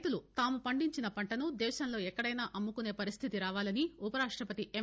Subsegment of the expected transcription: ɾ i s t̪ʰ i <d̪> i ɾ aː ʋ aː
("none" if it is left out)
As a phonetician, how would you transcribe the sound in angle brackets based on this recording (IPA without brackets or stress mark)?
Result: t̪